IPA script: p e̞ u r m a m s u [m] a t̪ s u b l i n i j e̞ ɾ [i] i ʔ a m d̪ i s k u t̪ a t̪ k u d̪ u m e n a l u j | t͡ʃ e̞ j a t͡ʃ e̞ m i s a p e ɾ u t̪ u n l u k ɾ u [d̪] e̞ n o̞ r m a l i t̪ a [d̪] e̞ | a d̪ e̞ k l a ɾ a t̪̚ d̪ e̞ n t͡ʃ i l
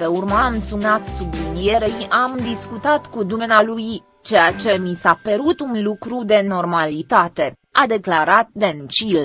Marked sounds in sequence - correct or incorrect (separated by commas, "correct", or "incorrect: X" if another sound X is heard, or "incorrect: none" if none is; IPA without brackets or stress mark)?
incorrect: n, incorrect: e, correct, incorrect: t̪